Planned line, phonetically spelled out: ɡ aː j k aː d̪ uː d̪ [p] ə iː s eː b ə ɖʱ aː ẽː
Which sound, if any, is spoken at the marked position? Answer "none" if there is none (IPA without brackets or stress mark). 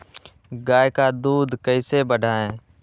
k